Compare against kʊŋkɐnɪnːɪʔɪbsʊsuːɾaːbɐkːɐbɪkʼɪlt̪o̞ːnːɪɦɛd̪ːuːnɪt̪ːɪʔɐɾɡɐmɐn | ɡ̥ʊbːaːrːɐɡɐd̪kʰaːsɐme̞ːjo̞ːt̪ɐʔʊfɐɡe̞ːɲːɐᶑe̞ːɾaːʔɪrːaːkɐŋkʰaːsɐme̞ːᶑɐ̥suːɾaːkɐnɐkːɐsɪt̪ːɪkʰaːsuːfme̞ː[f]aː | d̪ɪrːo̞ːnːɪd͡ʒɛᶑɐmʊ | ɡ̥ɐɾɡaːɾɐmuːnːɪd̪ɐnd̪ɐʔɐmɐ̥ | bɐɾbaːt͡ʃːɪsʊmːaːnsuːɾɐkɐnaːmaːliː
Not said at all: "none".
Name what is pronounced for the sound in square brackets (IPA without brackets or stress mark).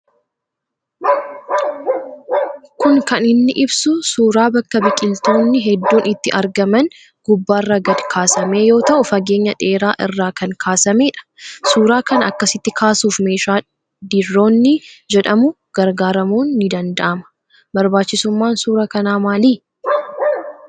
ʃ